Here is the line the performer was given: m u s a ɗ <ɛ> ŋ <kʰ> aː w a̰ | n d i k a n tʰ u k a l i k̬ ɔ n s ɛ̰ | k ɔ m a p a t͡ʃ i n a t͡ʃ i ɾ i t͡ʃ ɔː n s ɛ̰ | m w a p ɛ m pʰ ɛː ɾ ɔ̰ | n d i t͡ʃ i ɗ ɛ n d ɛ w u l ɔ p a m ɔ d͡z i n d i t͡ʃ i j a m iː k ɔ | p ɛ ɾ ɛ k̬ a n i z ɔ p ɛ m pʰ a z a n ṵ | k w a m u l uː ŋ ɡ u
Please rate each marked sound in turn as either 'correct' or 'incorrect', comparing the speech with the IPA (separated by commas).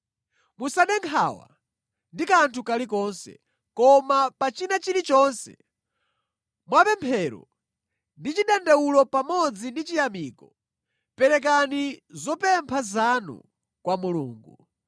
correct, correct